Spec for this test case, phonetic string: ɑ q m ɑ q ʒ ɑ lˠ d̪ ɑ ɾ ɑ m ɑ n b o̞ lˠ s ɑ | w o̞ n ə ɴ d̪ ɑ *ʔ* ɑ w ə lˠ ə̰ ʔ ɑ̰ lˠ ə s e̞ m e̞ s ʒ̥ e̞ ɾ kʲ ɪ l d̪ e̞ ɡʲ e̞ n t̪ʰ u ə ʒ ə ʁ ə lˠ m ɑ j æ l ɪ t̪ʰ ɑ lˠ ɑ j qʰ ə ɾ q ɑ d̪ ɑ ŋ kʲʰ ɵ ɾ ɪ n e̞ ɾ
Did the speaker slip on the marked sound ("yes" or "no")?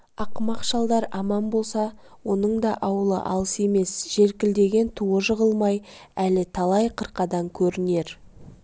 no